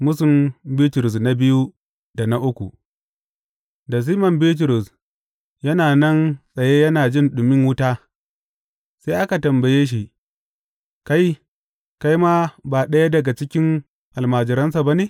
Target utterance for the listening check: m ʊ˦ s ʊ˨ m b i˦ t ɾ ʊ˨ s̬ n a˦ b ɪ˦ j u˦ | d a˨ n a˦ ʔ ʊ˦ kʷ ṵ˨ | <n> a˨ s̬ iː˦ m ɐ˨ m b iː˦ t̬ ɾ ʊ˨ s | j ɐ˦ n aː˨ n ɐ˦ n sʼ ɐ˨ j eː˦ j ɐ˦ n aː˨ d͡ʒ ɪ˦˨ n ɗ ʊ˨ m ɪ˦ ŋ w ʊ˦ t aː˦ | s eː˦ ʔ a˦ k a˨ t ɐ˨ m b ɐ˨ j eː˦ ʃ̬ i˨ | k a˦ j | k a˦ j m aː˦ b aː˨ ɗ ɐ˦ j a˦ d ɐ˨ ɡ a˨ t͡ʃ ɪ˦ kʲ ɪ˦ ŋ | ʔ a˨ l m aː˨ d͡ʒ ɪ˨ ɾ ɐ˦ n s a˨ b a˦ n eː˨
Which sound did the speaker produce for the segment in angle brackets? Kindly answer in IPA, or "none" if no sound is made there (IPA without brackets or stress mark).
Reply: d